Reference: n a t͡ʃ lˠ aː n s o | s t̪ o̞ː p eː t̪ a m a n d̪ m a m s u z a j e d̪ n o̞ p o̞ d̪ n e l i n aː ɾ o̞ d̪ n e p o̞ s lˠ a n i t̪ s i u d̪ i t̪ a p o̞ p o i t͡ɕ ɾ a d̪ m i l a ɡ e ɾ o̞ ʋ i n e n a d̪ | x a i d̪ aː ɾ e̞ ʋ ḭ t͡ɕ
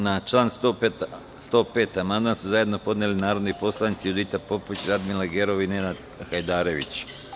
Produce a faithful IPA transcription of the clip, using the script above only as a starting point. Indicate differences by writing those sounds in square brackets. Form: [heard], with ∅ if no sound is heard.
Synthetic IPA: n a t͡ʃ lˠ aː n s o | s t̪ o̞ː p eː t̪ a m a n d̪ m a [n] s u z a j e d̪ n o̞ p o̞ d̪ n e l i n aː ɾ o̞ d̪ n [i] p o̞ s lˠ a n i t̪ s i u d̪ i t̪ a p o̞ p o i t͡ɕ ɾ a d̪ m i l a ɡ e ɾ o̞ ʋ i n e n a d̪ | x a [j] d̪ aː ɾ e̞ ʋ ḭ t͡ɕ